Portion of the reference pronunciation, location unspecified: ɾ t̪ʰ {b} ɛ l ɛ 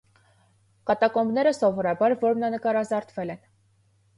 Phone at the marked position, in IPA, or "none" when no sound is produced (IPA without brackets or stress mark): v